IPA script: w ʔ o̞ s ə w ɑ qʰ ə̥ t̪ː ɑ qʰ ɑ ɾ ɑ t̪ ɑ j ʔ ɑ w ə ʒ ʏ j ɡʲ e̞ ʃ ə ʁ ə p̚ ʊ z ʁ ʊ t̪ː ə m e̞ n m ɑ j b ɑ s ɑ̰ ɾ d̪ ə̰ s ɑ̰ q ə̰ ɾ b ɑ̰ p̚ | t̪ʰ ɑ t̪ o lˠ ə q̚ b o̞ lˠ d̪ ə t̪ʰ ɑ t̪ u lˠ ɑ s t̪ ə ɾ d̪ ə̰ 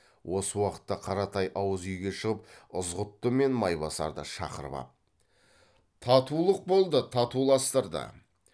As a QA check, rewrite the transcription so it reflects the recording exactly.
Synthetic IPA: w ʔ o̞ s ə w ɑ q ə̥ t̪ː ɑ qʰ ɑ ɾ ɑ t̪ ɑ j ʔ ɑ w ə z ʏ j ɡʲ e̞ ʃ ə ʁ ə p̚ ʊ z ʁ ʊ t̪ː ə m e̞ n m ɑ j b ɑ s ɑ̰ ɾ d̪ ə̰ ʃ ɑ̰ q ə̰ ɾ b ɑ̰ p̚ | t̪ʰ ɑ t̪ u lˠ ə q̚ b o̞ lˠ d̪ ə t̪ʰ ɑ t̪ u lˠ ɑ s t̪ ə ɾ d̪ ə̰